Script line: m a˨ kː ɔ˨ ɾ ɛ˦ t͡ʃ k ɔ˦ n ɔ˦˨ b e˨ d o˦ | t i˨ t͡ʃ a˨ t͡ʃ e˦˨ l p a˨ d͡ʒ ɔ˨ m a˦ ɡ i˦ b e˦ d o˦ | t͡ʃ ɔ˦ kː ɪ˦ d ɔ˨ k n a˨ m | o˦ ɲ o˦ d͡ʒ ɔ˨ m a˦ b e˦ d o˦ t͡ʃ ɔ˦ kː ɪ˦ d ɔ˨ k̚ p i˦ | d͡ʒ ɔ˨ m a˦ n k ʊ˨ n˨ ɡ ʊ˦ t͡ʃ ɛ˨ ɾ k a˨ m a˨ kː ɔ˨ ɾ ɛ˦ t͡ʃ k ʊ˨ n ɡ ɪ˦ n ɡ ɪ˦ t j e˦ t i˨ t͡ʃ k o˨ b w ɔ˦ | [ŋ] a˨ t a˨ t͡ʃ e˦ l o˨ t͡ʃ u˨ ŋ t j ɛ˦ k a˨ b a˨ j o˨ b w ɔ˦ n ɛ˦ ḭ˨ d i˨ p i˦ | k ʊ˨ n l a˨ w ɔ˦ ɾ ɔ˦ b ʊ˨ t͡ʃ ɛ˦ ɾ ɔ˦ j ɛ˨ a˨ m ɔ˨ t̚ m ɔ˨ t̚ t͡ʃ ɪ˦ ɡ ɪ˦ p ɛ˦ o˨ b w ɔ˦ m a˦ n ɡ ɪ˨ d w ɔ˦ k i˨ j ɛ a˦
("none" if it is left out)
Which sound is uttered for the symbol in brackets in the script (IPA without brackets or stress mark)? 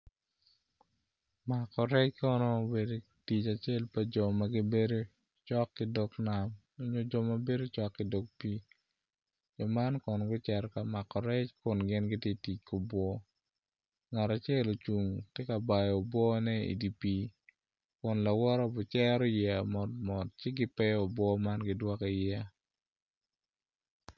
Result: ŋ